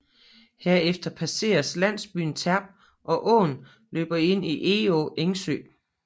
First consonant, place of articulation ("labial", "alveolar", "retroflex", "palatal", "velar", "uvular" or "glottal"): glottal